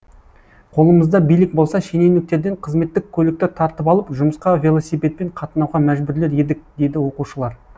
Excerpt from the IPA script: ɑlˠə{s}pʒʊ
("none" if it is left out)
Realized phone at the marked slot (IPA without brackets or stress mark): none